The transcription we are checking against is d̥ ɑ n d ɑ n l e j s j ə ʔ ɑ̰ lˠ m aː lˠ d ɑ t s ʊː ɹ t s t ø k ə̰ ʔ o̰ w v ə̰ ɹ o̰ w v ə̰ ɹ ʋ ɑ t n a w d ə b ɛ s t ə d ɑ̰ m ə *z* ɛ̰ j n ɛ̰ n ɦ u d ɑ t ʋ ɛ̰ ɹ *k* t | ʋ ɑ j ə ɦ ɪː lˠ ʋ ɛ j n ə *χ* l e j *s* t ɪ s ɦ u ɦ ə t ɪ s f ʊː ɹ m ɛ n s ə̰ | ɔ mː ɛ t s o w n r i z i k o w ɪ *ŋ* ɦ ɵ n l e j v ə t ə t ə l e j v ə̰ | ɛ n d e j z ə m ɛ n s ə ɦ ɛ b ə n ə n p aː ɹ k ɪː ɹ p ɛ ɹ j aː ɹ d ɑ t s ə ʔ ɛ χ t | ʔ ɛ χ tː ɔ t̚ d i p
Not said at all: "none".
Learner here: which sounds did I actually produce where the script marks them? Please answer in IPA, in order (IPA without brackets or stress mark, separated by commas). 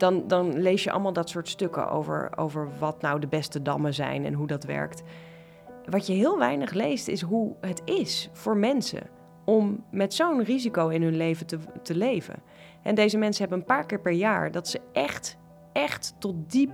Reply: z, k, χ, s, n